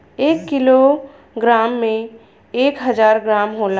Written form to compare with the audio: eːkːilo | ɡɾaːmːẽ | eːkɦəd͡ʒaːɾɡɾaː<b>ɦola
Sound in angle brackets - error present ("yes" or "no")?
yes